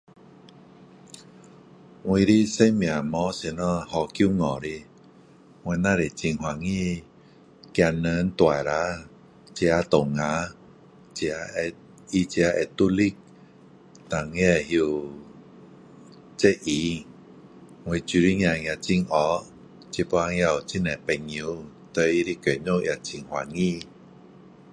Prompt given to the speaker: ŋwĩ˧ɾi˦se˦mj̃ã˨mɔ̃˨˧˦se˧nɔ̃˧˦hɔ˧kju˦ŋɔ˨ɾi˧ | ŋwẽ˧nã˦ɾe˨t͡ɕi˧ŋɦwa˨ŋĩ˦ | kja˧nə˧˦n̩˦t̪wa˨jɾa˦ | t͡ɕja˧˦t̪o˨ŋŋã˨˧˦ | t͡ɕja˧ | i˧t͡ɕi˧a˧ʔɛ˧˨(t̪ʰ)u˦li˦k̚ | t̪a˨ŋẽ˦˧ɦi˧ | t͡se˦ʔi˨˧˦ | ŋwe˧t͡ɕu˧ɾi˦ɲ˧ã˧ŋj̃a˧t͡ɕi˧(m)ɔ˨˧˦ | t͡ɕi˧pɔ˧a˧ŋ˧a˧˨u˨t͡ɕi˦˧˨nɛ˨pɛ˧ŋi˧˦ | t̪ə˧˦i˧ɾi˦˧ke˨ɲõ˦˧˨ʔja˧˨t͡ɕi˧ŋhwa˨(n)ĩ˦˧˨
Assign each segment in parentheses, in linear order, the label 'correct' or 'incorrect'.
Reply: incorrect, incorrect, incorrect

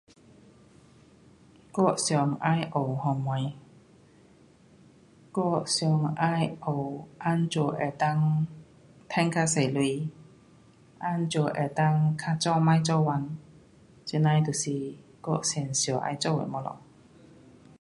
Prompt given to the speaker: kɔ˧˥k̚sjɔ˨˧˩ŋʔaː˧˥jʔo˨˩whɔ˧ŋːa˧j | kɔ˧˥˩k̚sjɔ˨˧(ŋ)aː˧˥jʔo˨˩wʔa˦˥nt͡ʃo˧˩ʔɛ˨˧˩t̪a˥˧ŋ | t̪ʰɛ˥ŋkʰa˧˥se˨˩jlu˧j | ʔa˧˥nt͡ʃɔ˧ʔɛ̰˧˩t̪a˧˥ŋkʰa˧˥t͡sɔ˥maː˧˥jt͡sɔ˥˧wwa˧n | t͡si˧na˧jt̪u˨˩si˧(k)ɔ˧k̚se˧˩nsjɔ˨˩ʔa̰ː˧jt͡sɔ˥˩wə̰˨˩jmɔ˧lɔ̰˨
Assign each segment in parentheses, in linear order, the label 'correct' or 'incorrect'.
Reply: correct, correct

